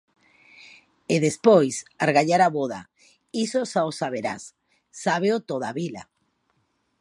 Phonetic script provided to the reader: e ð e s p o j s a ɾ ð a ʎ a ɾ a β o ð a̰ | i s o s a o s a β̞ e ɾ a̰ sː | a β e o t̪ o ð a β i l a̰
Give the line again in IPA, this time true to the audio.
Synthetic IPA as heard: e ð e s p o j s a ɾ ɣ a ʎ a ɾ a β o ð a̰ | i s o s a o s a β̞ e ɾ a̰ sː | a β e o t̪ o ð a β i l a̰